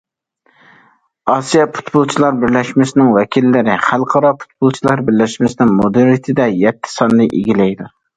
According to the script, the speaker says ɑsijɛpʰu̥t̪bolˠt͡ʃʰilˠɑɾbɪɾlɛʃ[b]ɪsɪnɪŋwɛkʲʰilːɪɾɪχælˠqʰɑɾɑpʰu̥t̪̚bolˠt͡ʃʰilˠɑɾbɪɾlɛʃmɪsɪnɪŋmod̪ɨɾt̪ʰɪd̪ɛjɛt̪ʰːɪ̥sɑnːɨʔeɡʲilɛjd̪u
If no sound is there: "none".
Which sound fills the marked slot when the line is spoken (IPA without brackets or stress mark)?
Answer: m